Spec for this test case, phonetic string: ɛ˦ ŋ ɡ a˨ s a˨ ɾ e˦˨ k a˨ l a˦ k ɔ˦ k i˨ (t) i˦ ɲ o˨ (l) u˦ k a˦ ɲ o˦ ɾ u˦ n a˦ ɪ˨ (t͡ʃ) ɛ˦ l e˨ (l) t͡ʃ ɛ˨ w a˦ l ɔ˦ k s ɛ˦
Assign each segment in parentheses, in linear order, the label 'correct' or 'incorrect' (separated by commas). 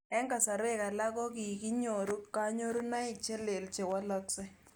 incorrect, incorrect, correct, correct